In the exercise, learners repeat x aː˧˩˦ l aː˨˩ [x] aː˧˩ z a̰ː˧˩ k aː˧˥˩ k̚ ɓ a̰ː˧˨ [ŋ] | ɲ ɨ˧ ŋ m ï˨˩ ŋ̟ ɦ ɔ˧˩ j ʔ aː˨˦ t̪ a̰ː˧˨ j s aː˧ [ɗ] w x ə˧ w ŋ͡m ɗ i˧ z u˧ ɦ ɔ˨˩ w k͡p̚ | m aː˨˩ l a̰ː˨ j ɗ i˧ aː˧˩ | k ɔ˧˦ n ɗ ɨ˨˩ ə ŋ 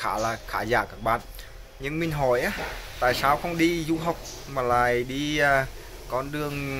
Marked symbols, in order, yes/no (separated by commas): yes, no, no